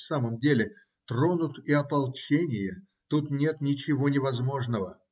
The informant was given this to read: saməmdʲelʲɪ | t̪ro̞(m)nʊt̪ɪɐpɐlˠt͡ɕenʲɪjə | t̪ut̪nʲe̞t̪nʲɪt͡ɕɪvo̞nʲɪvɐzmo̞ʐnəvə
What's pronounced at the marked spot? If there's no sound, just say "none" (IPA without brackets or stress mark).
none